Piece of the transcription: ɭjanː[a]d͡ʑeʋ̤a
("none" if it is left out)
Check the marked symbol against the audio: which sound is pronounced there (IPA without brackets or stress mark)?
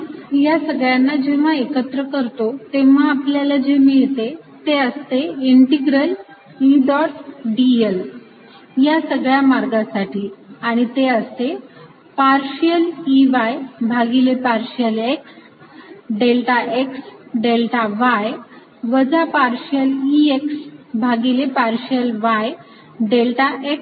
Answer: a